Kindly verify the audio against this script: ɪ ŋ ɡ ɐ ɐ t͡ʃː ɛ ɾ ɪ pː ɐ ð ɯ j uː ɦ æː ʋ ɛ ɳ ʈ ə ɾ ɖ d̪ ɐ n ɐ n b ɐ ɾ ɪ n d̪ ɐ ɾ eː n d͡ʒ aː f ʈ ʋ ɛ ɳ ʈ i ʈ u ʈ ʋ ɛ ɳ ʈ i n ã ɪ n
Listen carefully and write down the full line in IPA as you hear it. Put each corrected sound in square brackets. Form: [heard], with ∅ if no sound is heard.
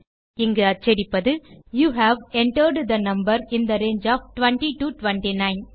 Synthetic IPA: ɪ ŋ ɡ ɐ ɐ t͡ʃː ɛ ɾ ɪ pː ɐ ð ɯ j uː ɦ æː ʋ ɛ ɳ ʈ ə ɾ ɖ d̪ ɐ n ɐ [m] b ɐ ɾ ɪ n d̪ ɐ ɾ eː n d͡ʒ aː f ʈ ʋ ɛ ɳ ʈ i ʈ u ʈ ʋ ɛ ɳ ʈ i n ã ɪ n

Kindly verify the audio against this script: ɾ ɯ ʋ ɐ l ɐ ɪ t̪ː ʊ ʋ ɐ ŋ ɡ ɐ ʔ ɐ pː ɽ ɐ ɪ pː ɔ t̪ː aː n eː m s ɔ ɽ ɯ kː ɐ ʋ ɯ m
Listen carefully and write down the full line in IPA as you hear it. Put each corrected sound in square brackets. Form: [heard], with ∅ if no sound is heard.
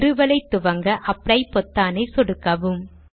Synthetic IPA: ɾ ɯ ʋ ɐ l ɐ ɪ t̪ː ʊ ʋ ɐ ŋ ɡ ɐ ʔ ɐ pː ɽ ɐ ɪ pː ɔ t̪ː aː n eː [∅] s ɔ ɽ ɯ kː ɐ ʋ ɯ m

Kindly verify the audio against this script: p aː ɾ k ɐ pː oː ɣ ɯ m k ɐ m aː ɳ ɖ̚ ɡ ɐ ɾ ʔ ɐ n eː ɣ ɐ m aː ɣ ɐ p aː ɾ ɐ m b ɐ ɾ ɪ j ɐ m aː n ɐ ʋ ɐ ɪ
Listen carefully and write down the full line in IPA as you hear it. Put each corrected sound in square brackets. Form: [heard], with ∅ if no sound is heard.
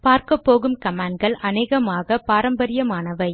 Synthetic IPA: p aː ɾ k ɐ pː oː ɣ ɯ m k ɐ m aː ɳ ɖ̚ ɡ ɐ [ɭ] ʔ ɐ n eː ɣ ɐ m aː ɣ ɐ p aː ɾ ɐ m b ɐ ɾ ɪ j ɐ m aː n ɐ ʋ ɐ ɪ

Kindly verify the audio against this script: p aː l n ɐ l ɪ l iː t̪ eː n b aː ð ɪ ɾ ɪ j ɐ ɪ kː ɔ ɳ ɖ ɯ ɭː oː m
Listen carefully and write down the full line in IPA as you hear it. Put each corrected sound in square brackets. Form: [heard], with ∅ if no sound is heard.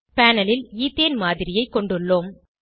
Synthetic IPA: p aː [∅] n ɐ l ɪ l iː t̪ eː n [m] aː ð ɪ ɾ ɪ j ɐ ɪ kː ɔ ɳ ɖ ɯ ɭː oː m

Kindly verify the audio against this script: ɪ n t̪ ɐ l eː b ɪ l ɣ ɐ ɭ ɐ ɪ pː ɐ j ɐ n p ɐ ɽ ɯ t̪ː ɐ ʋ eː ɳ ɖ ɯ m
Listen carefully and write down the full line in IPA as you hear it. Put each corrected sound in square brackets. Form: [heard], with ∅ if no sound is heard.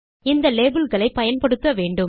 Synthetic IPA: ɪ n [d̪] ɐ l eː b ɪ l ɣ ɐ ɭ ɐ ɪ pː ɐ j ɐ n p ɐ ɽ ɯ t̪ː ɐ ʋ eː ɳ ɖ ɯ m

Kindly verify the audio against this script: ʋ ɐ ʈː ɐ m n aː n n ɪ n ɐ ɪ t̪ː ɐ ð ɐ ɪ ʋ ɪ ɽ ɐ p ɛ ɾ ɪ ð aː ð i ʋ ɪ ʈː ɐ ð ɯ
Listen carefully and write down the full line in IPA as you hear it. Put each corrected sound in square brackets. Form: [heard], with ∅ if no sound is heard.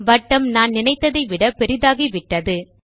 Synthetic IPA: ʋ ɐ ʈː ɐ m n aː n n ɪ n ɐ ɪ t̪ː ɐ ð ɐ ɪ ʋ ɪ ɽ ɐ p ɛ ɾ ɪ ð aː [ɣ] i ʋ ɪ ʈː ɐ ð ɯ

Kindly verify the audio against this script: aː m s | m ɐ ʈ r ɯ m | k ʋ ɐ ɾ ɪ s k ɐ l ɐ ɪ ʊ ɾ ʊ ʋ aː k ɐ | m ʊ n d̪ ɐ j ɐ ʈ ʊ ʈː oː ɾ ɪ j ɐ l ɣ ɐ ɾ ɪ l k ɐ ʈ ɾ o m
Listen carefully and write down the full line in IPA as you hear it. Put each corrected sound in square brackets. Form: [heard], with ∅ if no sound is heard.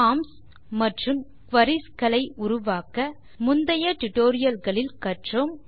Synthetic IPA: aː m s | m ɐ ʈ r ɯ m | k ʋ ɐ ɾ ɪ s k ɐ l ɐ ɪ ʊ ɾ ʊ ʋ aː k ɐ | m ʊ n d̪ ɐ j ɐ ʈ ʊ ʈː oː ɾ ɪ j ɐ l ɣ ɐ [ɭ] ɪ l k ɐ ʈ [r] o m

